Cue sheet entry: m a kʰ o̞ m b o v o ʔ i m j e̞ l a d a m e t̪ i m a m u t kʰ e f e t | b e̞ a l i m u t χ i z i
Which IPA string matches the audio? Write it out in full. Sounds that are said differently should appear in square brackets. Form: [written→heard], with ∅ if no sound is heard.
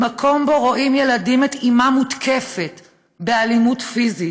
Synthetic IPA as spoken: m a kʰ o̞ m b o [v→ʁ] o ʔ i m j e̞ l a d [a→i] m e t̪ i m a m u t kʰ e f e t | b e̞ a l i m u t [χ→f] i z i